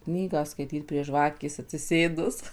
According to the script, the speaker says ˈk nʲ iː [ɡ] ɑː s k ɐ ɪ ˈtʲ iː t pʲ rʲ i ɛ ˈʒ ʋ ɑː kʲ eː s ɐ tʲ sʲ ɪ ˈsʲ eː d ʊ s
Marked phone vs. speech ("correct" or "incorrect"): correct